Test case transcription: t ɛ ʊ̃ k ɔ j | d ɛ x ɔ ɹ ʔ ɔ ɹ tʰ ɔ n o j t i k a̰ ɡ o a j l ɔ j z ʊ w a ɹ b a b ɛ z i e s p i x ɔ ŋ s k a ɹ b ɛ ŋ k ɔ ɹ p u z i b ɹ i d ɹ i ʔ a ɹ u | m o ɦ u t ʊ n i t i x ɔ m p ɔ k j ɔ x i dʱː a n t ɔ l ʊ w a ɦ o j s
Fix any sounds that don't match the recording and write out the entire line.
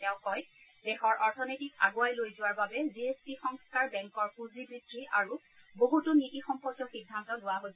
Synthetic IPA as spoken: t ɛ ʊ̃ k ɔ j | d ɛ x ɔ ɹ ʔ ɔ ɹ tʰ ɔ n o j t i k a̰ ɡ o a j l o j z ʊ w a ɹ b a b ɛ z i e s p i x ɔ ŋ s k a ɹ b ɛ ŋ k ɔ ɹ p u z i b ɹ i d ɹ i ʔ a ɹ u | b o ɦ u t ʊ n i t i x ɔ m p ɔ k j ɔ x i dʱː a n t ɔ l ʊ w a ɦ o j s